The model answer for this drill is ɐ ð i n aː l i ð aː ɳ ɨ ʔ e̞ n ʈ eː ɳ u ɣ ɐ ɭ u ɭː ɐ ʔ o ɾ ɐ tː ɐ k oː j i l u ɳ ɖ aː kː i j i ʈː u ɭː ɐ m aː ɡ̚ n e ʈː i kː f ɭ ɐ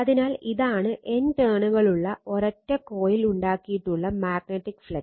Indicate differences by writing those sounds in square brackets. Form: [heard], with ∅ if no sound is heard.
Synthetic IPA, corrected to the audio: ɐ ð i n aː l i ð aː ɳ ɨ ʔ e̞ n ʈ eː ɳ u ɣ ɐ ɭ u ɭː ɐ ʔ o ɾ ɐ tː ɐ k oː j i l u ɳ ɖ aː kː i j i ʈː u ɭː ɐ m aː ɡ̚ n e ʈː i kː f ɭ ɐ

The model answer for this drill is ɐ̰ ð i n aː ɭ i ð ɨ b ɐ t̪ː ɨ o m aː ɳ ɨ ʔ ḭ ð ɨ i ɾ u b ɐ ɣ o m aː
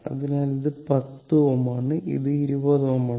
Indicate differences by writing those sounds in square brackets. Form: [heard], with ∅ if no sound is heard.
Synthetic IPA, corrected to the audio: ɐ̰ ð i n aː [l] i ð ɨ [p] ɐ t̪ː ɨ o m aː ɳ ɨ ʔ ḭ ð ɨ i ɾ u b ɐ [ð] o m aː

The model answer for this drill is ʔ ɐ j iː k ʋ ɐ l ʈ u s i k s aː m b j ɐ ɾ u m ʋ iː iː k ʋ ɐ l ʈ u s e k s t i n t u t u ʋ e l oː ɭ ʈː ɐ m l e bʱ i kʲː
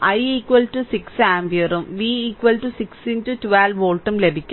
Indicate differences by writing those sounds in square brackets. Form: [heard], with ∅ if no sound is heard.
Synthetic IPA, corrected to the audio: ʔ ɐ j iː k ʋ ɐ l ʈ u s i k s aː m b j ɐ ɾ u m ʋ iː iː k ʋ ɐ l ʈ u s [i] k s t i n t u t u ʋ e l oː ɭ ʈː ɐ m l e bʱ i kʲː

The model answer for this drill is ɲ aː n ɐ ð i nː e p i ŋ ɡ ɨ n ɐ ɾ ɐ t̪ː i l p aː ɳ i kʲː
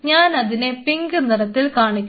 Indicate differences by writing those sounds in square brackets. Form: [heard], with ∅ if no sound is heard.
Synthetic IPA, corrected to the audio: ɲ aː n ɐ ð i [n] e p i ŋ ɡ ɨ n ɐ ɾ ɐ t̪ː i l [k] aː ɳ i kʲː

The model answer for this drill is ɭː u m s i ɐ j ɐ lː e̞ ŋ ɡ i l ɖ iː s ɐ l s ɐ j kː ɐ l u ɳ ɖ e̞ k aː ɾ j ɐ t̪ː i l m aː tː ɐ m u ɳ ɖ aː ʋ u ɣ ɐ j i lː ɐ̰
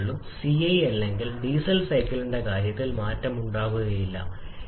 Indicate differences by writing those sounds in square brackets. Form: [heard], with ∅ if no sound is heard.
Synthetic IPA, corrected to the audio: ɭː u m s i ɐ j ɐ lː e̞ ŋ ɡ i l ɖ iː s ɐ l s ɐ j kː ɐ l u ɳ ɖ e̞ k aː ɾ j ɐ t̪ː i l m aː tː ɐ m u ɳ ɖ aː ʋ u ɣ ɐ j i lː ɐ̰

